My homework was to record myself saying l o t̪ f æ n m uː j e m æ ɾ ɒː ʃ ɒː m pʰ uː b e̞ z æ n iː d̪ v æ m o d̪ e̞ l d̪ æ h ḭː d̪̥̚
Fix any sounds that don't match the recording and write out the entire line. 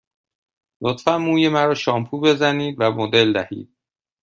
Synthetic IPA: l o t̪ f æ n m uː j e m æ ɾ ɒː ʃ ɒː m pʰ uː b e̞ z æ n iː d̪ v æ m o d̪ e̞ l d̪ æ h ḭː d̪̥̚